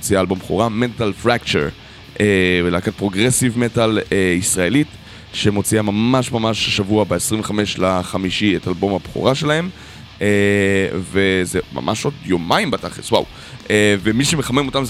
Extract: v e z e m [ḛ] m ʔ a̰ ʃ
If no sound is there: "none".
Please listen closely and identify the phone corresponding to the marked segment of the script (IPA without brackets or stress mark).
a̰